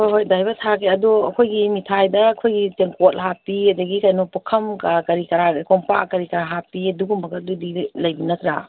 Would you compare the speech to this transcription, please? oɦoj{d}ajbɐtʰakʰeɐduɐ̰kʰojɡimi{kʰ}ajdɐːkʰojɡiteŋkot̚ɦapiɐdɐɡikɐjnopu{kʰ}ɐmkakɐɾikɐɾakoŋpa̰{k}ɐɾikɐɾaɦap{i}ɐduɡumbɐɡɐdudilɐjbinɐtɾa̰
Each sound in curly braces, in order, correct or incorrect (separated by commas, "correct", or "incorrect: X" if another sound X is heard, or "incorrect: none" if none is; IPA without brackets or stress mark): correct, incorrect: tʰ, correct, correct, correct